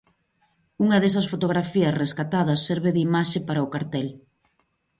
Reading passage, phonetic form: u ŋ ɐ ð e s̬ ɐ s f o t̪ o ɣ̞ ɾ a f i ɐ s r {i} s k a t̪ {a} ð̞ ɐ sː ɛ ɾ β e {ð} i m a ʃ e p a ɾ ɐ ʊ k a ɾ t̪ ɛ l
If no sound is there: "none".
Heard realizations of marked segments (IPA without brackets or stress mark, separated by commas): e, a, ð